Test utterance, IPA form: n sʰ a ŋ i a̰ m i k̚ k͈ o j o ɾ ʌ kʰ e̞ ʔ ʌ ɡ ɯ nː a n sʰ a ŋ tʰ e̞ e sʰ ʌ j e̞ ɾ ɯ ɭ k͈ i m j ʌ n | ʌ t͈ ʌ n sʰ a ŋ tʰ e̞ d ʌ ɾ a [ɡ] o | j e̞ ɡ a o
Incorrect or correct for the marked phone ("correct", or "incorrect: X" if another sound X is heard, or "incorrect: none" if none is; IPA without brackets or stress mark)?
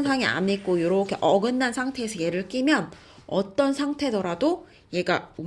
incorrect: d